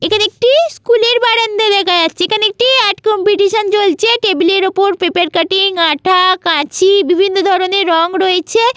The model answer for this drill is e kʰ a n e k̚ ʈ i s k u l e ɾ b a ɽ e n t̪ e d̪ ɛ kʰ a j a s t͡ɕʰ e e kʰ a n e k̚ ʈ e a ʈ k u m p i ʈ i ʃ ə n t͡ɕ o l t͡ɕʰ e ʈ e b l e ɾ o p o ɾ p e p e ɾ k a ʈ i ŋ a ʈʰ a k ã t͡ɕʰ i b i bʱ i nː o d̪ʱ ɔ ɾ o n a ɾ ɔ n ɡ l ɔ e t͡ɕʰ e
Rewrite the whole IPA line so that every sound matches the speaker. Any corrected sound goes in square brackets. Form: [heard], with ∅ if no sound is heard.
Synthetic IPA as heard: e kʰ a n e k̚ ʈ i s k u l e ɾ b a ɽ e n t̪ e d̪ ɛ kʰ a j a s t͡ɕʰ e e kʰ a n e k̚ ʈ [i] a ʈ k [ɔ] m p i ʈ i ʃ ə n t͡ɕ o l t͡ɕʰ e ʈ e b l e ɾ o p o ɾ p e p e ɾ k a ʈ i ŋ a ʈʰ a k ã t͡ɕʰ i b i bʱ i nː o d̪ʱ ɔ ɾ o n [e] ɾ ɔ [ŋ] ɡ [ɾ] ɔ e t͡ɕʰ e